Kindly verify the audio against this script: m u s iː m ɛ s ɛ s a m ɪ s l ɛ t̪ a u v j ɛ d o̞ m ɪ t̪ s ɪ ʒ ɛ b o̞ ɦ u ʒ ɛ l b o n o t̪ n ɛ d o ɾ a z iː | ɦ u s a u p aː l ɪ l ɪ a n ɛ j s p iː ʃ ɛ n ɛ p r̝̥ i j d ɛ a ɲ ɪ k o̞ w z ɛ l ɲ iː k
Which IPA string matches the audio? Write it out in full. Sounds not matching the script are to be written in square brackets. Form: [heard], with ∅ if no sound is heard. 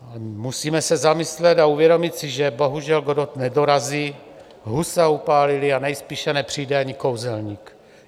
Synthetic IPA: m u s iː m ɛ s ɛ [z] a m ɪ s l ɛ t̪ a u v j ɛ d o̞ m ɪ t̪ s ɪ ʒ ɛ b o̞ ɦ u ʒ ɛ l [ɡ] o [d] o t̪ n ɛ d o ɾ a z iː | ɦ u s a u p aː l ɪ l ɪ a n ɛ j s p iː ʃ ɛ n ɛ p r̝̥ i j d ɛ a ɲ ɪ k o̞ w z ɛ l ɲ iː k